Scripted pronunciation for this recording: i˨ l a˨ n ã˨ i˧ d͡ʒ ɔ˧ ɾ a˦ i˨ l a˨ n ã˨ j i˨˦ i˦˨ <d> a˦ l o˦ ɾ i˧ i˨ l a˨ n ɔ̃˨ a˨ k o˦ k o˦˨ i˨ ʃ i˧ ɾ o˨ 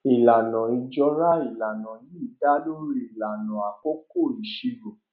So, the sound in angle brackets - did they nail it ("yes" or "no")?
yes